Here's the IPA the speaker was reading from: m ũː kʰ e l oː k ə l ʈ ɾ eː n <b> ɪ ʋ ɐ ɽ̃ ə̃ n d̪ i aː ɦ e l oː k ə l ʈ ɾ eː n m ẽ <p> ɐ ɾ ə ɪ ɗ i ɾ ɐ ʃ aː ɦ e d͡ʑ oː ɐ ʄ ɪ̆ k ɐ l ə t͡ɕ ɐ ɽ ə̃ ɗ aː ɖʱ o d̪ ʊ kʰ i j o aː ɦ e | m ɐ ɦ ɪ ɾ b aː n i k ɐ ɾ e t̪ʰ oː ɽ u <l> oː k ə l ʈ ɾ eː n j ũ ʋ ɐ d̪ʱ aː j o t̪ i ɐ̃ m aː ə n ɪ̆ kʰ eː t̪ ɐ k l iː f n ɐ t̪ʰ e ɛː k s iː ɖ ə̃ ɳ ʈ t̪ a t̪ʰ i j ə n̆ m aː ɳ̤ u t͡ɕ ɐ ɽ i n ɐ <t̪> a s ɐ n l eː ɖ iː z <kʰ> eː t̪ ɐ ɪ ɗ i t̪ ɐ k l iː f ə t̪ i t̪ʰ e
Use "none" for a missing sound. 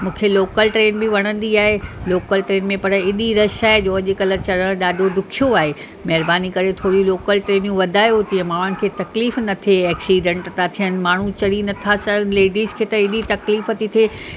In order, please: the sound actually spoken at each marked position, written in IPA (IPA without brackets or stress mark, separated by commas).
b, p, l, t̪ʰ, kʰ